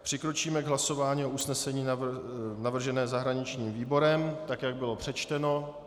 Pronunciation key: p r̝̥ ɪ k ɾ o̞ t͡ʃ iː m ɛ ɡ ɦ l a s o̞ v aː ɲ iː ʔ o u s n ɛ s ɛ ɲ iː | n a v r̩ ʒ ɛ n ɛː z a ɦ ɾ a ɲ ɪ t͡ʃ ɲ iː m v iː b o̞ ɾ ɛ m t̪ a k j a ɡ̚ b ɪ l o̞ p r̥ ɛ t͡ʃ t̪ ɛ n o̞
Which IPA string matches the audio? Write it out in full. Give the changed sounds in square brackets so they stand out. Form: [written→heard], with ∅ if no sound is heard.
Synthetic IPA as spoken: p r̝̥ ɪ k ɾ o̞ t͡ʃ iː m ɛ ɡ ɦ l a s o̞ v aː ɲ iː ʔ o u s n ɛ s ɛ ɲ iː | n a v r̩ ʒ ɛ n ɛː z a ɦ ɾ a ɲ ɪ t͡ʃ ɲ iː m v iː b o̞ ɾ ɛ m t̪ a k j a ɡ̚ b ɪ l o̞ p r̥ ɛ t͡ʃ t̪ ɛ n o̞